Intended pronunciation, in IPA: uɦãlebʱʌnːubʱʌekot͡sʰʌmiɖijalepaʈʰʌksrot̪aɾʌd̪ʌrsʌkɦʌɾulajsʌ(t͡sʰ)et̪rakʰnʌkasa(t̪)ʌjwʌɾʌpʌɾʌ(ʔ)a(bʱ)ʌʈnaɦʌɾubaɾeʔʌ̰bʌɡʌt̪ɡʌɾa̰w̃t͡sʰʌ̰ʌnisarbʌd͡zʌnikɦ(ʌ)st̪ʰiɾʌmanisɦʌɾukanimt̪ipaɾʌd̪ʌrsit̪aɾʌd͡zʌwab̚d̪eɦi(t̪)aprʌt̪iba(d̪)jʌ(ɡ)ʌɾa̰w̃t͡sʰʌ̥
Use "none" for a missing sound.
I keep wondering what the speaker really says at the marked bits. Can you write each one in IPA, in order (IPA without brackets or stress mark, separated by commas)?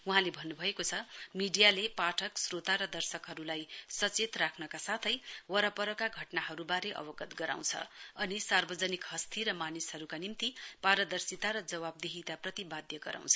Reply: t͡s, t̪ʰ, k, ɡʱ, ʌ, t̪, d̪, ɡ